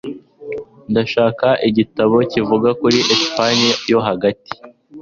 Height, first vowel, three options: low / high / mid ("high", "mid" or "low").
low